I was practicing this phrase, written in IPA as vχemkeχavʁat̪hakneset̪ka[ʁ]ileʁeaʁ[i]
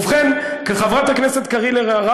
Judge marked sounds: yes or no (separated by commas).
yes, no